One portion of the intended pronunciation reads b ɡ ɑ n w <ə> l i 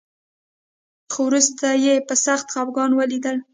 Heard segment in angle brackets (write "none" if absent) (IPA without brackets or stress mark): ə